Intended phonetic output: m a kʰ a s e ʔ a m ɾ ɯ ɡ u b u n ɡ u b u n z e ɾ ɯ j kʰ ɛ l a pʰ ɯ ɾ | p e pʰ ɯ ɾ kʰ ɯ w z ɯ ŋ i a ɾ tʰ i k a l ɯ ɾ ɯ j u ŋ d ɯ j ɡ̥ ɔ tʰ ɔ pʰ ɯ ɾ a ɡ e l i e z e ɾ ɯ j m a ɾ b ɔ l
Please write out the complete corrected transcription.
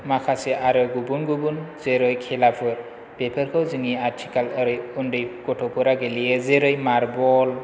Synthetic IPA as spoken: m a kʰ a s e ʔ a ɾ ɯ ɡ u b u n ɡ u b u n z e ɾ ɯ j kʰ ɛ l a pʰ ɯ ɾ | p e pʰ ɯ ɾ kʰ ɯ w z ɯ ŋ i a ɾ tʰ i k a l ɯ ɾ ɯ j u n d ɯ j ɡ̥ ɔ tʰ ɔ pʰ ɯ ɾ a ɡ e l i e z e ɾ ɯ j m a ɾ b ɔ l